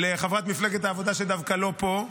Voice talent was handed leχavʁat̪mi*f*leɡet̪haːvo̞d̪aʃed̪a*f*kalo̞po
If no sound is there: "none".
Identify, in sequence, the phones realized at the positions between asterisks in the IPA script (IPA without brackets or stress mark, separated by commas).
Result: f, v